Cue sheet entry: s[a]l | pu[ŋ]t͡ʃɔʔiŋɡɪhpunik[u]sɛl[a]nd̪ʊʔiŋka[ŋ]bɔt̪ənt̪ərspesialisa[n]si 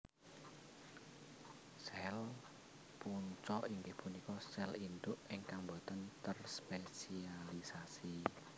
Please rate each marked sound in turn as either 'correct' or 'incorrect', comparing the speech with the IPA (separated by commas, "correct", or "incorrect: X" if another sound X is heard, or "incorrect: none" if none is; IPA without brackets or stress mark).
incorrect: ɛ, incorrect: ɲ, incorrect: ɔ, incorrect: i, correct, incorrect: none